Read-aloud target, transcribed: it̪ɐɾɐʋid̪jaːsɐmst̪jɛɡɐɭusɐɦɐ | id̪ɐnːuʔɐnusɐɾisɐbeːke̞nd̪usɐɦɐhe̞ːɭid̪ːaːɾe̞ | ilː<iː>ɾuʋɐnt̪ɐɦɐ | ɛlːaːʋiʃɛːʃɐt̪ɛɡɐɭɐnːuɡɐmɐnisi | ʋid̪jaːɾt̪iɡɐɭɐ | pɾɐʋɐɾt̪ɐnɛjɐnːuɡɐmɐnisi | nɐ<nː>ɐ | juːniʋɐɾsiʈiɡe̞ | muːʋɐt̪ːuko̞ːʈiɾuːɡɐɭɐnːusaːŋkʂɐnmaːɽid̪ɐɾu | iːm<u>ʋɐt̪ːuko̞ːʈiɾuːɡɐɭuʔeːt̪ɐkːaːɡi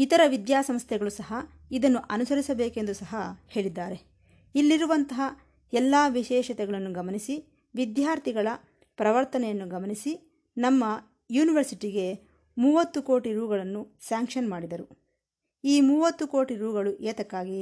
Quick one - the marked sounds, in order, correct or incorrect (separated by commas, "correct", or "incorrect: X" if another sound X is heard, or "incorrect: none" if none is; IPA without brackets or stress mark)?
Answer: incorrect: i, incorrect: mː, incorrect: uː